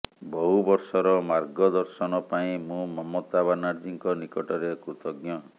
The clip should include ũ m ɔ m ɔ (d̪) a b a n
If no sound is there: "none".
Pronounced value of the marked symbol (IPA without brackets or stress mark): t̪